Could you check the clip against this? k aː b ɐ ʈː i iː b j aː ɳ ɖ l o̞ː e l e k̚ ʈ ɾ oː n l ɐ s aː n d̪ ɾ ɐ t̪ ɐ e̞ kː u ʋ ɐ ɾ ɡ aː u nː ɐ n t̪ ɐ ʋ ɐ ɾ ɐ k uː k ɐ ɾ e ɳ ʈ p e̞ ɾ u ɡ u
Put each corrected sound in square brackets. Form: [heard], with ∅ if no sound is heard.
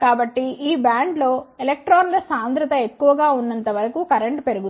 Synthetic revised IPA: k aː b ɐ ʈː i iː b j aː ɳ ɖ l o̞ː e l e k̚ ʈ ɾ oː n l ɐ s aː n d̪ ɾ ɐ t̪ ɐ e̞ kː u ʋ ɐ [∅] ɡ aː u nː ɐ n t̪ ɐ ʋ ɐ ɾ ɐ k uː k ɐ ɾ e ɳ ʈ p e̞ ɾ u ɡ u